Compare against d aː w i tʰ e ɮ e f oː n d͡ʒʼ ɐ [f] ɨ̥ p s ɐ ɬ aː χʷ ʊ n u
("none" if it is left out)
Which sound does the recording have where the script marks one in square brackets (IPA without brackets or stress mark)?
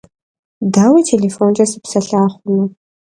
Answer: s